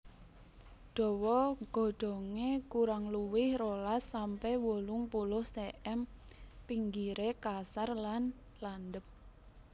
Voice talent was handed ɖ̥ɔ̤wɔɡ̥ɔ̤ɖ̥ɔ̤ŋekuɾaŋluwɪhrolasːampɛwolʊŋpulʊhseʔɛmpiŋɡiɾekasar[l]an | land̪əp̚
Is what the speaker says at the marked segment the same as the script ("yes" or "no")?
yes